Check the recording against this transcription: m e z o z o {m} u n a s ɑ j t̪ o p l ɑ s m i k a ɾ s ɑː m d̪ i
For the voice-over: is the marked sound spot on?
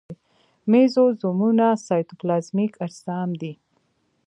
yes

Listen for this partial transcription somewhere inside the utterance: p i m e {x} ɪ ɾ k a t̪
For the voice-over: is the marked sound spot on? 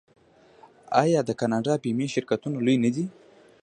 no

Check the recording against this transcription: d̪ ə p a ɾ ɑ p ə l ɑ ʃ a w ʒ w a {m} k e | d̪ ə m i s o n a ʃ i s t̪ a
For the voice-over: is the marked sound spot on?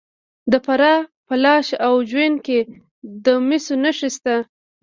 no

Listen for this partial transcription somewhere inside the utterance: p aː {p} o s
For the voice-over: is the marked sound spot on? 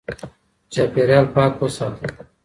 no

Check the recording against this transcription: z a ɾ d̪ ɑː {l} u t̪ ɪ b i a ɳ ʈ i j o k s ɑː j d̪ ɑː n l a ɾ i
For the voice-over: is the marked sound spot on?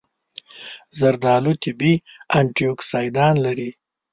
yes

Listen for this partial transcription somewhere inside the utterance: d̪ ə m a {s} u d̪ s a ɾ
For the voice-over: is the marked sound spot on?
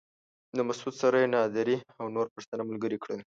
yes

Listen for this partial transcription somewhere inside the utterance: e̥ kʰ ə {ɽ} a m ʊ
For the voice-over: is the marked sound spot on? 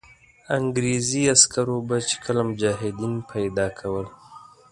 no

